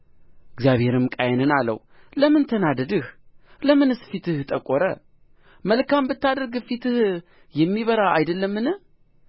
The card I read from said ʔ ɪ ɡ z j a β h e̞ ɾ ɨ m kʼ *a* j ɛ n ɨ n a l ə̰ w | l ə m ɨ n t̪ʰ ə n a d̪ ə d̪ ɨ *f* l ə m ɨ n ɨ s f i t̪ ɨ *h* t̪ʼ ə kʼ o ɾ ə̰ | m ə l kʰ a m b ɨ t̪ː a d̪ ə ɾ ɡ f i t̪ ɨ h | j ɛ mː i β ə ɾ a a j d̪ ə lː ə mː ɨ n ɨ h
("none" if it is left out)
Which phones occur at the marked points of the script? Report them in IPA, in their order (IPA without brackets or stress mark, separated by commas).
a, h, h